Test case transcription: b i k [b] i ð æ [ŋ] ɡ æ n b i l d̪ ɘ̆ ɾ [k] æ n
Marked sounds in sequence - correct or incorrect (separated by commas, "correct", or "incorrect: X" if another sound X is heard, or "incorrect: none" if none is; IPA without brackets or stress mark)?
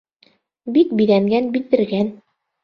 correct, correct, incorrect: ɡ